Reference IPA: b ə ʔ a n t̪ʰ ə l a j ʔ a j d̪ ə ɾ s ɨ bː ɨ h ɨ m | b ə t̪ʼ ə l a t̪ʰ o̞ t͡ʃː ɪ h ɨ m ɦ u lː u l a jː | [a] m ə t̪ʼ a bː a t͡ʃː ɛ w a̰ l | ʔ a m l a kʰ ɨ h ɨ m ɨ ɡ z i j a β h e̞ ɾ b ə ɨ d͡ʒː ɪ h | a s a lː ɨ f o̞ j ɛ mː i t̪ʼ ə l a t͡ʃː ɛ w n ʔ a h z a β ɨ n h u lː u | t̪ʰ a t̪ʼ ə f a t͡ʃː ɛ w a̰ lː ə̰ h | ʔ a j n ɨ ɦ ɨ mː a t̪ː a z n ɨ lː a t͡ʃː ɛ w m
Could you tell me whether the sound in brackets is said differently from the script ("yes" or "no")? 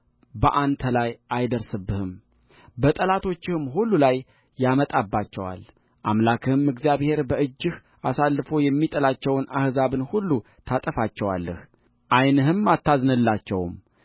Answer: no